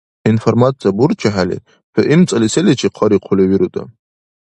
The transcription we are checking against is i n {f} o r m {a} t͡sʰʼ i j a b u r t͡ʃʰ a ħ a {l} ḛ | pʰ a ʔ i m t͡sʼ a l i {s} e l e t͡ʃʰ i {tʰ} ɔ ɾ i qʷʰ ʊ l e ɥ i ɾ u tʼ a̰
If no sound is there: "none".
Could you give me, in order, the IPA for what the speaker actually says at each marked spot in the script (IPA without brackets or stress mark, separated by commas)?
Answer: f, a, l, s, qʰ